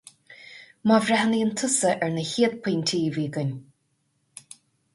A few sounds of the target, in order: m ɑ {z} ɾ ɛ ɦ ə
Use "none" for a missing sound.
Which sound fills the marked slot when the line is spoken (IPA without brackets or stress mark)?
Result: v